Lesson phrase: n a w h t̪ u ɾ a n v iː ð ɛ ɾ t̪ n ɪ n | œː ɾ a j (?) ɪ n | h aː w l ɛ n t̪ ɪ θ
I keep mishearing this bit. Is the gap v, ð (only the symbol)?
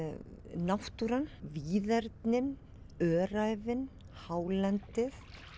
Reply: v